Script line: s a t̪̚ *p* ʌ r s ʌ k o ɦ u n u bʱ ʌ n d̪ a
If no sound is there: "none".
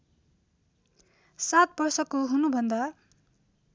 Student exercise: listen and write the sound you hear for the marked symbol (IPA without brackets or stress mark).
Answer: b